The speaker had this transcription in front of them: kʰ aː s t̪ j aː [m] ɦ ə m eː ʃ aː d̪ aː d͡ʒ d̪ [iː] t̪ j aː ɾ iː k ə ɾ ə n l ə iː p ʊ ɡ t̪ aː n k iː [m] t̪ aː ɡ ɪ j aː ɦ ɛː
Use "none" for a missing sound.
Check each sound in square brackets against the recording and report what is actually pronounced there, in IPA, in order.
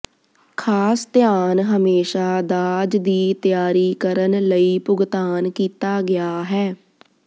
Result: n, iː, none

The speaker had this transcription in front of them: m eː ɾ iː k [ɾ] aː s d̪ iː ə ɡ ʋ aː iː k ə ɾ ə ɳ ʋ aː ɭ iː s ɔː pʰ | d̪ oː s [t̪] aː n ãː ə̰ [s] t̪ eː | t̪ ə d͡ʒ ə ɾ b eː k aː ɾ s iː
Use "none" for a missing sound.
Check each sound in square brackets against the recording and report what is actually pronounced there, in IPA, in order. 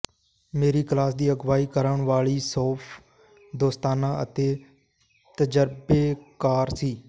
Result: l, t̪, none

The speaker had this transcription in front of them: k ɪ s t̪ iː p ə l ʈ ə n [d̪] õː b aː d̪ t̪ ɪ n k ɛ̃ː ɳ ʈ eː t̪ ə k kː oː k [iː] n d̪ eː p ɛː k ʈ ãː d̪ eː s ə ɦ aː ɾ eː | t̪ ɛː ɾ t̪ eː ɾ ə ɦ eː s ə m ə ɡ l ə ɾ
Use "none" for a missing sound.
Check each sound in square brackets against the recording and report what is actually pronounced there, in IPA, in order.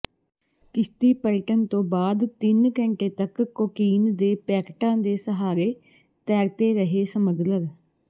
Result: t̪, iː

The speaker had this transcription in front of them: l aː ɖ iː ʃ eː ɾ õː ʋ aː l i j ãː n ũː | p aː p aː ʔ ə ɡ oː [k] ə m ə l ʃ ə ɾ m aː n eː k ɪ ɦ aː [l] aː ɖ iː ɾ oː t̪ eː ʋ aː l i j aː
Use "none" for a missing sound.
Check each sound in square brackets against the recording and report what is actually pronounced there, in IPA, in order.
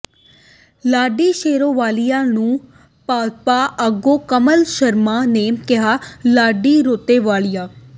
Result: k, l

